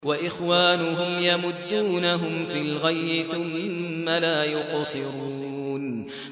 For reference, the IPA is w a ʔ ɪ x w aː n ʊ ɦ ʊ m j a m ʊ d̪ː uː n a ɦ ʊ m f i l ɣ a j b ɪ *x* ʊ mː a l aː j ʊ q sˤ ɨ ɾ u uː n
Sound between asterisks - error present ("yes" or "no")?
yes